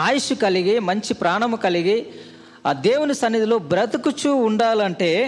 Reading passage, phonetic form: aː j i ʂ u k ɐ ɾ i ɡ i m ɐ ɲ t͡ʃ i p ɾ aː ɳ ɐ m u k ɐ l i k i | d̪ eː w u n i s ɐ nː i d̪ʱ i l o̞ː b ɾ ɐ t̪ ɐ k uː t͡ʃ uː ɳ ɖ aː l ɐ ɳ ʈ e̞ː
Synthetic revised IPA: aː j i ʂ u k ɐ l i ɡ i m ɐ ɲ t͡ʃ i p ɾ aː ɳ ɐ m u k ɐ l i ɡ i | d̪ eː w u n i s ɐ nː i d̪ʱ i l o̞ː b ɾ ɐ t̪ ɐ k u t͡ʃ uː ɳ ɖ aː l ɐ ɳ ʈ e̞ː